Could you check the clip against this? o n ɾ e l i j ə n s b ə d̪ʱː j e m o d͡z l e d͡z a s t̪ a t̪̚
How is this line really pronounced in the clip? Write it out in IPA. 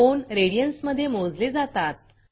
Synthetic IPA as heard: o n ɾ e ɽ i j ə n s m ə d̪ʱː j e m o d͡z l e d͡z a t̪ a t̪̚